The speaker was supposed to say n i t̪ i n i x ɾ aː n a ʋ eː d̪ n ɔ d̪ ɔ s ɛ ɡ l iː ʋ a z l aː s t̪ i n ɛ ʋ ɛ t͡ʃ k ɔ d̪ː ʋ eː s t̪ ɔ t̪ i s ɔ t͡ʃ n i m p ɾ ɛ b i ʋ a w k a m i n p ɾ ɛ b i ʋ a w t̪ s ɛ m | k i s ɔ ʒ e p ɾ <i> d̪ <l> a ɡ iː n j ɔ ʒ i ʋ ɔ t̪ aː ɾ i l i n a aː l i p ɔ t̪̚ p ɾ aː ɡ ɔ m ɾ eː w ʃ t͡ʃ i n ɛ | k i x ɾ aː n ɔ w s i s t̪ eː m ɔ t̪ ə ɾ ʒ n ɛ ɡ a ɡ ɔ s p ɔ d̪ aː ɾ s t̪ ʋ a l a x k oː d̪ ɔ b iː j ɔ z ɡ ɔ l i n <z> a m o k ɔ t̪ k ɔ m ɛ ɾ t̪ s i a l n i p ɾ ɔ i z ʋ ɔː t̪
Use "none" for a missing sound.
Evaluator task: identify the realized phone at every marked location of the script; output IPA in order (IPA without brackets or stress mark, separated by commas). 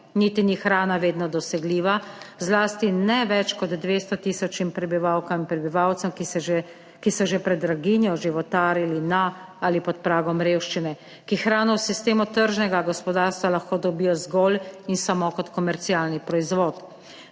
ɛ, ɾ, s